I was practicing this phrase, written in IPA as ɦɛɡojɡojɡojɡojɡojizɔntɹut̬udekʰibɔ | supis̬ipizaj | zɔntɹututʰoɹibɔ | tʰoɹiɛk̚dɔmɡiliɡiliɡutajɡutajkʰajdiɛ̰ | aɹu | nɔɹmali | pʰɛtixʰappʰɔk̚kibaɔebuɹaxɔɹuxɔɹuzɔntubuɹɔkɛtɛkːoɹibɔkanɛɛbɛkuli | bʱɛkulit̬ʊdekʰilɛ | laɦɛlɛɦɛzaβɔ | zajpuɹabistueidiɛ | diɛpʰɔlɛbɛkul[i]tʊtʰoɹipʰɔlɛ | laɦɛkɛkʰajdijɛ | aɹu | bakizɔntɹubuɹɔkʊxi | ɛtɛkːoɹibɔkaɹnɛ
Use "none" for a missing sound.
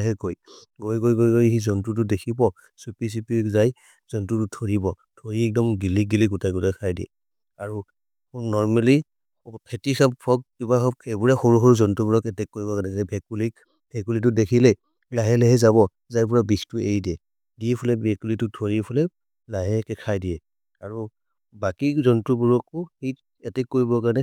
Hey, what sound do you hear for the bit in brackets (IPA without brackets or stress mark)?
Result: i